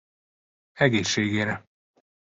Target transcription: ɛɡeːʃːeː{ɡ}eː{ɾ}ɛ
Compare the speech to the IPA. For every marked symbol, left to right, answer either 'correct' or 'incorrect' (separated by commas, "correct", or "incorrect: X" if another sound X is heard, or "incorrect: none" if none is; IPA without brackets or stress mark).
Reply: correct, correct